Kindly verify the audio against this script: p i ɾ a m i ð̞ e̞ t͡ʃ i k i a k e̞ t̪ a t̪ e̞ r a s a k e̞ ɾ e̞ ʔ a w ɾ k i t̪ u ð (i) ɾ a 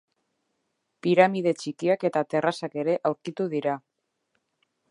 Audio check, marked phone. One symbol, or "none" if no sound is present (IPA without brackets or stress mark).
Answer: i